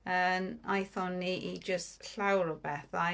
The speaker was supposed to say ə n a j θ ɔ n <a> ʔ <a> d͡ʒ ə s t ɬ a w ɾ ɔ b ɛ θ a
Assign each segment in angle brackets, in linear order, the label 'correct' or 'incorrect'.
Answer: incorrect: i, incorrect: i

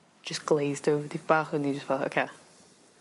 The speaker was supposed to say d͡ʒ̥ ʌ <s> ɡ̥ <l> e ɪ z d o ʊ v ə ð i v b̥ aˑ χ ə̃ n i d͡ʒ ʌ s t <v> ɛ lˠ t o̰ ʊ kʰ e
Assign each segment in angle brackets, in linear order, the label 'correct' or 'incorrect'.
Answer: correct, correct, incorrect: f

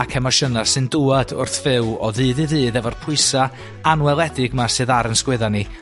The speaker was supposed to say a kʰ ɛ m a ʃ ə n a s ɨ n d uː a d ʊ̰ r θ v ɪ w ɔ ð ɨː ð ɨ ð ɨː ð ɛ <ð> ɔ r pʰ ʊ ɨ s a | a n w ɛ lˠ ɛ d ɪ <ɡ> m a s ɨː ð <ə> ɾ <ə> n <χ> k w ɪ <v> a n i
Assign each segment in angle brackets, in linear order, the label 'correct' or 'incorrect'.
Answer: incorrect: v, correct, incorrect: a, correct, incorrect: s, incorrect: ð

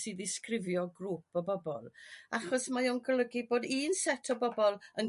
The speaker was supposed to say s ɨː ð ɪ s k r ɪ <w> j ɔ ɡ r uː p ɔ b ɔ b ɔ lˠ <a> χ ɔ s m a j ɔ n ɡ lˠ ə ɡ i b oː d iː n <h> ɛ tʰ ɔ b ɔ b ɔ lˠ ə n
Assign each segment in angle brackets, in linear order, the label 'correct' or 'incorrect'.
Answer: incorrect: v, correct, incorrect: s

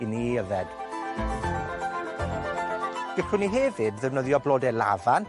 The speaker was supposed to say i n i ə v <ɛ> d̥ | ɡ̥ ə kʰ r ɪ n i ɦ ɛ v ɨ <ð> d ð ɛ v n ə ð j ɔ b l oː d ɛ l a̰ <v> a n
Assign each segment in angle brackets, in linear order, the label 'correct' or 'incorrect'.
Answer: correct, incorrect: none, correct

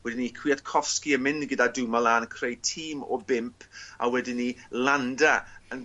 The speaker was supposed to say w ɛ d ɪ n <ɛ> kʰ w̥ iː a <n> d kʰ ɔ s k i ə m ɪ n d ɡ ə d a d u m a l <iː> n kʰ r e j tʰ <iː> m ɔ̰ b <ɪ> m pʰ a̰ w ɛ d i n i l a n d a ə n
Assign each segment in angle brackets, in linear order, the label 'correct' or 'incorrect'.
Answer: incorrect: i, incorrect: none, incorrect: aː, correct, correct

